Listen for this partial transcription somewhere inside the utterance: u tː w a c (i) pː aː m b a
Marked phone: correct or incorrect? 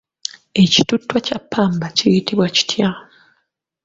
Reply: incorrect